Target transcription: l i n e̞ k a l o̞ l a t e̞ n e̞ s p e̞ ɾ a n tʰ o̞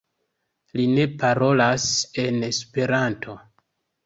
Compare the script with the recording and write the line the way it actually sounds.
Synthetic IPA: l i n e̞ p a ɾ o̞ l a s e̞ n e̞ s p e̞ ɾ a n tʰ o̞